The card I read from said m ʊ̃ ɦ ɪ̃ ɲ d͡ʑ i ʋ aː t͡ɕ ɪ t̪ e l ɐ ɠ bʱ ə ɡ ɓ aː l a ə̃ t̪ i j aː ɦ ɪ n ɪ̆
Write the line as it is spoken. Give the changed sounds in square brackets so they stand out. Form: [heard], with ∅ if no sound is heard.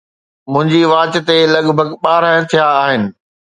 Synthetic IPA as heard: m ʊ̃ ɦ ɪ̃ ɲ d͡ʑ i ʋ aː t͡ɕ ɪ t̪ e l ɐ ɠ bʱ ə ɡ ɓ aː [ɾ] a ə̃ [t̪ʰ] i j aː ɦ ɪ n ɪ̆